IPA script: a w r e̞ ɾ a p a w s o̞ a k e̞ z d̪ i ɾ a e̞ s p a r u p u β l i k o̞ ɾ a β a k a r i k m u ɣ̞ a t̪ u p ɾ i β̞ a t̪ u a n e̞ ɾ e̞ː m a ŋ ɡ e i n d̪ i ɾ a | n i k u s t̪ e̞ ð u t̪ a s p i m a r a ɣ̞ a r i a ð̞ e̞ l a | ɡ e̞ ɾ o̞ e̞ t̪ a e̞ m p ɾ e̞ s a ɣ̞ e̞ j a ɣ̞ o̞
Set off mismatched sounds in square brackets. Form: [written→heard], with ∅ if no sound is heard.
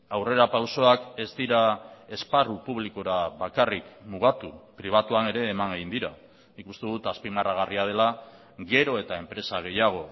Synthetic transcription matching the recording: a w r e̞ ɾ a p a w s o̞ a k e̞ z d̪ i ɾ a e̞ s p a r u p u β l i k o̞ ɾ a β a k a r i k m u ɣ̞ a t̪ u p ɾ i β̞ a t̪ u a n e̞ ɾ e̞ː m a ŋ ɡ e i n d̪ i ɾ a | n i k u s t̪ e̞ ð u t̪ a s p i m a r a ɣ̞ a r i a ð̞ e̞ l a | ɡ e̞ ɾ o̞ e̞ t̪ a e̞ m p ɾ e̞ s a ɣ̞ e̞ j a ɣ̞ o̞